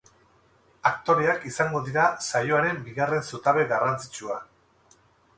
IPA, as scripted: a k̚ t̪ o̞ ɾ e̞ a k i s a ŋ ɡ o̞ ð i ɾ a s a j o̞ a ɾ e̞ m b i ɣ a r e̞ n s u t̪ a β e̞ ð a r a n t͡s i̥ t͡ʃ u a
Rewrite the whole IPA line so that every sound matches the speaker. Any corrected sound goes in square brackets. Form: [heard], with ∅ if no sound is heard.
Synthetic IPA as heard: a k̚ t̪ o̞ ɾ e̞ a k i s a ŋ ɡ o̞ ð i ɾ a s a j o̞ a ɾ e̞ m b i ɣ a r e̞ n s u t̪ a β e̞ [ɣ] a r a n t͡s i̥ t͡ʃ u a

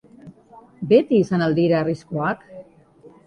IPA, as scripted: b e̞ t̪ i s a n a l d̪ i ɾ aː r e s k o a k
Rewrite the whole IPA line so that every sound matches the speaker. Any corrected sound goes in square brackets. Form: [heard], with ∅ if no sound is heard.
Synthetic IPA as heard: b e̞ t̪ [iː] s a n a l d̪ i ɾ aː r [i] s k o a k

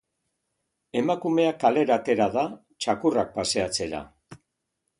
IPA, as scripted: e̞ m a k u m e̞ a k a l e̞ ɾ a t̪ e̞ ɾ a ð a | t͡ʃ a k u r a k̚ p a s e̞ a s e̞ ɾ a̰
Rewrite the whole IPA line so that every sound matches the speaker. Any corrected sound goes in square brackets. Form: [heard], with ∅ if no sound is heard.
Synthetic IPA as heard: e̞ m a k u m e̞ a k a l e̞ ɾ a t̪ e̞ ɾ a ð a | t͡ʃ a k u r a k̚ p a s e̞ a [t͡s] e̞ ɾ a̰

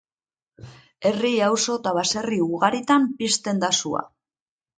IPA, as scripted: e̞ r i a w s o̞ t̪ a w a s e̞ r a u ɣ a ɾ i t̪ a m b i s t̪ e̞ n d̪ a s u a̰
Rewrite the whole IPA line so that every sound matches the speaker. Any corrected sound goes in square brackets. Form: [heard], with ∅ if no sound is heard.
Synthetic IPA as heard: e̞ r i a w s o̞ t̪ a [β] a s e̞ r [i] u ɣ a ɾ i t̪ a m [p] i s t̪ e̞ n d̪ a s u a̰

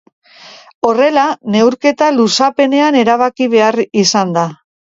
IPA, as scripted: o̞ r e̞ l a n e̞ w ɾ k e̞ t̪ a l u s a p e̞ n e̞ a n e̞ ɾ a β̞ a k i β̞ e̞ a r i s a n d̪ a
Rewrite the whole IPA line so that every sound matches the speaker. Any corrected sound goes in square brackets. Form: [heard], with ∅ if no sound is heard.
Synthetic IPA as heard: o̞ r e̞ l a n e̞ w ɾ k e̞ t̪ a l u s a p e̞ n e̞ a n e̞ ɾ a β̞ a k i β̞ e̞ a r i s a n d̪ a

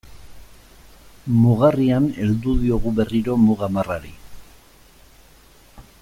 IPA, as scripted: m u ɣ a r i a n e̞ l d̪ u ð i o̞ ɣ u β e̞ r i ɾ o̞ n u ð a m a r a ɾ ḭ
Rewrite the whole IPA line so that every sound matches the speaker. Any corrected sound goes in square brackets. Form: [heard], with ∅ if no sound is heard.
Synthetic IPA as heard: m u ɣ a r i a n e̞ l d̪ u ð i o̞ ɣ u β e̞ r i ɾ o̞ [m] u [ɣ] a m a r a ɾ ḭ

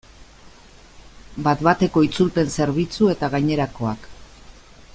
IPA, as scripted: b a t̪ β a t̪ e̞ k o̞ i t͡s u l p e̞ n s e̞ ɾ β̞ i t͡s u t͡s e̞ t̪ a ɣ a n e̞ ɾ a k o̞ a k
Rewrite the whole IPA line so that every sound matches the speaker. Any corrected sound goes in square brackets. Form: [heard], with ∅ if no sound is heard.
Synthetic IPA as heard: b a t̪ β a t̪ e̞ k o̞ i t͡s u l p e̞ n s e̞ ɾ β̞ i t͡s u [∅] e̞ t̪ a ɣ a [ɲ] e̞ ɾ a k o̞ a k

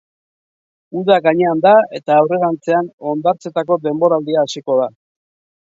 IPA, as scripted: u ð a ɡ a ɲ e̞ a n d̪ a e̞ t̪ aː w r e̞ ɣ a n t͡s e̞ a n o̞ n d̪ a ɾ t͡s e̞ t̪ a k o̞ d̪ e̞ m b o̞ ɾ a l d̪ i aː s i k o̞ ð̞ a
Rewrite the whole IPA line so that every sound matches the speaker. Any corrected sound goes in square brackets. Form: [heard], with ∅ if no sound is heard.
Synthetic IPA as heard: u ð a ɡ a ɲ e̞ a n d̪ a e̞ t̪ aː w r e̞ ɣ a n t͡s e̞ a n o̞ n d̪ a ɾ t͡s e̞ t̪ a k o̞ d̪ e̞ m b o̞ ɾ a l d̪ i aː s i k o̞ ð̞ a

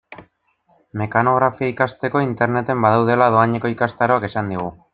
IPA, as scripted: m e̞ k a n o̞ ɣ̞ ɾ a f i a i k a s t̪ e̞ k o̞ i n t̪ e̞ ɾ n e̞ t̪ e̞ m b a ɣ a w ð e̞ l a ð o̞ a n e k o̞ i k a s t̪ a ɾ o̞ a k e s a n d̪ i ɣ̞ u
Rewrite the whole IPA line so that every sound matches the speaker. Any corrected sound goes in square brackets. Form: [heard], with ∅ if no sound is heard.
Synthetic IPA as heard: m e̞ k a n o̞ ɣ̞ ɾ a f i a i k a s t̪ e̞ k o̞ i n t̪ e̞ ɾ n e̞ t̪ e̞ m b a [ð] a w ð e̞ l a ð o̞ a [ɲ] e k o̞ i k a s t̪ a ɾ o̞ a k e s a n d̪ i ɣ̞ u

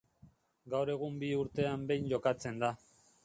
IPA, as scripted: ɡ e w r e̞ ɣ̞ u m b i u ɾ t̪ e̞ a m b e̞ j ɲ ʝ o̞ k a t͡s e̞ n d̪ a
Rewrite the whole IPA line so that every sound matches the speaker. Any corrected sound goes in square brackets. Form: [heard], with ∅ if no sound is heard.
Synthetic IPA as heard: ɡ [a] w [ɾ] e̞ ɣ̞ u m b i u ɾ t̪ e̞ a m b e̞ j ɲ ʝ o̞ k a t͡s e̞ n d̪ a

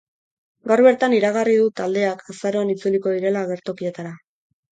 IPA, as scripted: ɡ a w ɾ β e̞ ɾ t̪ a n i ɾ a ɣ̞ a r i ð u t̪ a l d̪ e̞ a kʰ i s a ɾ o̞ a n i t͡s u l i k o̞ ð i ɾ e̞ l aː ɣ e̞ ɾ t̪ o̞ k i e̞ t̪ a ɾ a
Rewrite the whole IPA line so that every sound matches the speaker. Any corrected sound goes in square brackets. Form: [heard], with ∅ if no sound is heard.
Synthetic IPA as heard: ɡ a w ɾ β e̞ ɾ t̪ a n i ɾ a ɣ̞ a r i ð u t̪ a l d̪ e̞ a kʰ [a] s a ɾ o̞ a n i t͡s u l i k o̞ ð i ɾ e̞ l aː ɣ e̞ ɾ t̪ o̞ k i e̞ t̪ a ɾ a

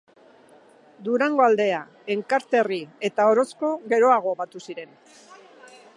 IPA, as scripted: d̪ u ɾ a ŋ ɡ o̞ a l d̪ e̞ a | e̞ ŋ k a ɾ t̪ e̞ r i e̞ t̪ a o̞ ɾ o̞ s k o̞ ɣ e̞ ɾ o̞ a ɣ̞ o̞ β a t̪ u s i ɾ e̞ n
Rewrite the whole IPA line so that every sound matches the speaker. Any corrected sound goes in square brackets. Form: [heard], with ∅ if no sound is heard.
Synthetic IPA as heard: d̪ u ɾ a ŋ ɡ o̞ a l d̪ e̞ a | e̞ ŋ k a ɾ t̪ e̞ r i e̞ t̪ a o̞ ɾ o̞ s k o̞ ɣ e̞ ɾ o̞ a ɣ̞ o̞ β a t̪ u s i ɾ e̞ n

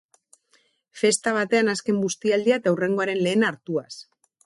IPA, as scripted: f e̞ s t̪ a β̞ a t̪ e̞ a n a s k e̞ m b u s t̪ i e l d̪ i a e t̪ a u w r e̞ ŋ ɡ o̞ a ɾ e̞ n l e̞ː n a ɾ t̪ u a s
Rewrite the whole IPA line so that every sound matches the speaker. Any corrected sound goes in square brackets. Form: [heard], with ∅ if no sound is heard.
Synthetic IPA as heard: f e̞ s t̪ a β̞ a t̪ e̞ a n a s k e̞ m [ɡ] u s t̪ i [a] l d̪ i a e t̪ a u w r e̞ ŋ ɡ o̞ a ɾ e̞ n l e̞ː n a ɾ t̪ u a s

